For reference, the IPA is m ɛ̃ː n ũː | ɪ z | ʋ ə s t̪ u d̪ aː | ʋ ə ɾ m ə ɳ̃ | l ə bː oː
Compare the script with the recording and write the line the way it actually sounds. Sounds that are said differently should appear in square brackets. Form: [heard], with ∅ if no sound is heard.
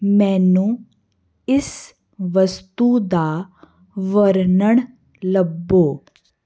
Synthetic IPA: m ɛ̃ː n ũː | ɪ [s] | ʋ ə s t̪ u d̪ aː | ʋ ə ɾ [n] ə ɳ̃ | l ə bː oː